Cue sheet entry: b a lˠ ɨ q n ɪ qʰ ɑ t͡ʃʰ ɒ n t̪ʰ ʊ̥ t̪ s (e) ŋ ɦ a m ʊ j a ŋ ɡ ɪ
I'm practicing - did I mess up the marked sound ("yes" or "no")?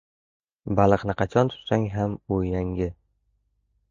yes